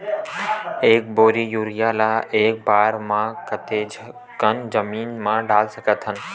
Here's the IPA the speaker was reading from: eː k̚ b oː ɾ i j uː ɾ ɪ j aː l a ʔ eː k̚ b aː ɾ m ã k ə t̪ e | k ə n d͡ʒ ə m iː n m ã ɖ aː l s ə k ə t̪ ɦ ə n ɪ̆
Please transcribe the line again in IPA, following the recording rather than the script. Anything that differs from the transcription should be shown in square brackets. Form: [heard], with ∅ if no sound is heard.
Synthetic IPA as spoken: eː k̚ b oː ɾ i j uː ɾ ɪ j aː l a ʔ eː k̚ b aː ɾ m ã k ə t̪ e | k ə n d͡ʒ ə m iː n m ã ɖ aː l s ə k ə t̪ ɦ ə n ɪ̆